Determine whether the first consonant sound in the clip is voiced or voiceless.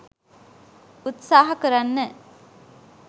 voiceless